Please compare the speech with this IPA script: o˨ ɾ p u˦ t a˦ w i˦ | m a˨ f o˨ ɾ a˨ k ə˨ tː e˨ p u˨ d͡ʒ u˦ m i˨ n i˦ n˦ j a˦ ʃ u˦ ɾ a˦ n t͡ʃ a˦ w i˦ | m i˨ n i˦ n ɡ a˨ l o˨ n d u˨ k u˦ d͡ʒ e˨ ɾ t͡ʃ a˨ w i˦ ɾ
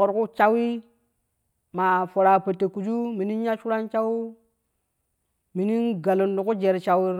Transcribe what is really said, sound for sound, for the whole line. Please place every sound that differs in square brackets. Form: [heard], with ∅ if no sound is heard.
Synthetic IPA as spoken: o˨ ɾ [k] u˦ [t͡ʃ] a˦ w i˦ | m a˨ f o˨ ɾ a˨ [p] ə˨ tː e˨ [k] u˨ d͡ʒ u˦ m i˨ n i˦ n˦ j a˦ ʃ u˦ ɾ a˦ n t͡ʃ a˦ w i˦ | m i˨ n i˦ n ɡ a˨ l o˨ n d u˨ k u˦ d͡ʒ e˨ ɾ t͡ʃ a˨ w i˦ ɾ

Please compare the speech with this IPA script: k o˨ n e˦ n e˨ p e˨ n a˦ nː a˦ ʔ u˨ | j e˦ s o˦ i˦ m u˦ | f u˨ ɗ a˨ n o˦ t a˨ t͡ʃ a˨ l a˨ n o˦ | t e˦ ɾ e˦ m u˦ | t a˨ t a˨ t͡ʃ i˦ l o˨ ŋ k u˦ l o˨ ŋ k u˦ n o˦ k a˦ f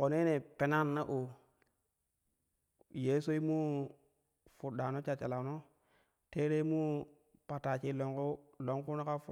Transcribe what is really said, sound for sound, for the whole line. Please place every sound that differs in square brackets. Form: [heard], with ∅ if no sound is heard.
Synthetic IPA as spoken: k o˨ n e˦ n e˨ p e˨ n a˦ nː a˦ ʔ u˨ | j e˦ s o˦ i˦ m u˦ | f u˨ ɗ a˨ n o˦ [t͡ʃ] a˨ t͡ʃ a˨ l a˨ n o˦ | t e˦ ɾ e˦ m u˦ | [p] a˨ t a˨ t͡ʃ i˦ l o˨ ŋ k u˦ l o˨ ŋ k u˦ n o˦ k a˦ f

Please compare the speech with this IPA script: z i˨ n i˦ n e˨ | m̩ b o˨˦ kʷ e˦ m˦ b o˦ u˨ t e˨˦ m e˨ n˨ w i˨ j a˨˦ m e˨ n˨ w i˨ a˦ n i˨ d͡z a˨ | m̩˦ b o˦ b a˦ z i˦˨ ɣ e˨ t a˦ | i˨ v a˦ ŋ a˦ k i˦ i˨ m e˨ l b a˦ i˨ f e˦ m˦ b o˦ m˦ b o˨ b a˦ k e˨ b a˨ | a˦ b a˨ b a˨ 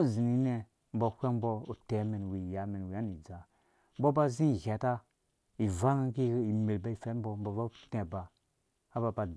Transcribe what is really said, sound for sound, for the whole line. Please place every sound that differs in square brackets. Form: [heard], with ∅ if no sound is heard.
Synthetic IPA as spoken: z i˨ n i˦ n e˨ | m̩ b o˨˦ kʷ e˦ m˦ b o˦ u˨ t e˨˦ m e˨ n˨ w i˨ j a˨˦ m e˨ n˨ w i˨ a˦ n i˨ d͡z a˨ | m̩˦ b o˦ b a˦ z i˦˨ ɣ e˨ t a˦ | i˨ v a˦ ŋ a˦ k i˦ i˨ m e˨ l b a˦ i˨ f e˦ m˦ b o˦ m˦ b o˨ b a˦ [t] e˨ b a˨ | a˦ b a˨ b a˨

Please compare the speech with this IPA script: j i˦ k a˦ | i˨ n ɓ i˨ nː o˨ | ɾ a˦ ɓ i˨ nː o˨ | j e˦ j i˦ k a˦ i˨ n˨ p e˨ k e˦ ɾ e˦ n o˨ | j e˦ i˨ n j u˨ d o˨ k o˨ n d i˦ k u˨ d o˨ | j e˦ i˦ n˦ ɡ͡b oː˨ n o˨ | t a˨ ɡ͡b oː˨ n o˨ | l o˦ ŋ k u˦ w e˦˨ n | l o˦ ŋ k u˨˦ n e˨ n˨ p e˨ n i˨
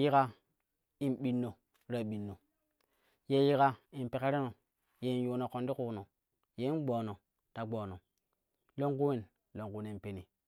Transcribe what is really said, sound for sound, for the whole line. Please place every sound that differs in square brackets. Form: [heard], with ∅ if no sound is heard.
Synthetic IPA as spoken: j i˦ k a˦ | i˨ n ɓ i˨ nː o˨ | ɾ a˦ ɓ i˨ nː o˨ | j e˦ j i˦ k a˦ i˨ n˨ p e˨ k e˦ ɾ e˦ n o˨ | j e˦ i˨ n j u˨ [n] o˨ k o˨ n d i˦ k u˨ [n] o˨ | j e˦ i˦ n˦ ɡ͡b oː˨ n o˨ | t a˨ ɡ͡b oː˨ n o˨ | l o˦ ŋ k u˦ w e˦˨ n | l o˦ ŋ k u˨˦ n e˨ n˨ p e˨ n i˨

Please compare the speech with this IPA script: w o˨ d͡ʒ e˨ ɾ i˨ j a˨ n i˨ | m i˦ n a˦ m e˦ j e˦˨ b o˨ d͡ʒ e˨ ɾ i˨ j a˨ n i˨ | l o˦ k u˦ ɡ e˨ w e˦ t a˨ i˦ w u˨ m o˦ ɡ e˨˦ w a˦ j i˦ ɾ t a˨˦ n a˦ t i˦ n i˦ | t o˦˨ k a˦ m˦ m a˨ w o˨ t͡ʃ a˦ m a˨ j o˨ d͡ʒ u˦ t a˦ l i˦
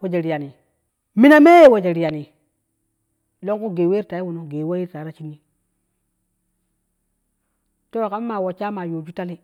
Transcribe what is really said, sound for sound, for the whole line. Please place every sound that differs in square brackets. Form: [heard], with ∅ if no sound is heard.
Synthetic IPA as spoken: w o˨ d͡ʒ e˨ ɾ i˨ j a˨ n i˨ | m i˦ n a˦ m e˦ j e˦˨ [w] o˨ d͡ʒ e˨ ɾ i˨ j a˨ n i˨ | l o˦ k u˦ ɡ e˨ w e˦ t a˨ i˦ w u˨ [n] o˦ ɡ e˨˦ w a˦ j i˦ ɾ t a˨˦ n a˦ [t͡ʃ] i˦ n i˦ | t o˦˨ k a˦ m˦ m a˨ w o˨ t͡ʃ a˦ m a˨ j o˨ d͡ʒ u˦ t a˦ l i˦

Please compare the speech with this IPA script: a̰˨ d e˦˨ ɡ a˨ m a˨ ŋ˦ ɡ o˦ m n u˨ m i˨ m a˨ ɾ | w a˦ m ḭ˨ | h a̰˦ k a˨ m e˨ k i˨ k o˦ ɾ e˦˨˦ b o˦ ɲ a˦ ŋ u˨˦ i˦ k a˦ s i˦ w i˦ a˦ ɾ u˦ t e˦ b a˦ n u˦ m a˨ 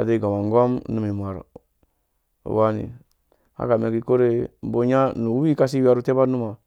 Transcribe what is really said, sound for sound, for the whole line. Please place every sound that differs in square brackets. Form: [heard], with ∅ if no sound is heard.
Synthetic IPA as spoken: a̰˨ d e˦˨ ɡ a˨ m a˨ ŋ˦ ɡ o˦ m n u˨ m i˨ m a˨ ɾ | w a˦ [n] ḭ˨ | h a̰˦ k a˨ m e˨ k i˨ k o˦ ɾ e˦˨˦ b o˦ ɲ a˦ [n] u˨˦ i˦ k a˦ s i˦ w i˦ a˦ ɾ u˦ t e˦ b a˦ n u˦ m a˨

